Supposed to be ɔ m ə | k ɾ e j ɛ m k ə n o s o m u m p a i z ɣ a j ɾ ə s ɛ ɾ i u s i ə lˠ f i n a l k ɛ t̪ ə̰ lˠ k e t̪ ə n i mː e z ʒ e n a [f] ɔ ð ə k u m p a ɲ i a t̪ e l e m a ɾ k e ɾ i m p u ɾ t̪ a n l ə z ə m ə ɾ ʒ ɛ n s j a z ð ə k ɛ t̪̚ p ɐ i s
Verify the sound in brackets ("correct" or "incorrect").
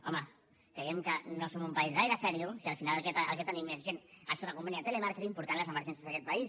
incorrect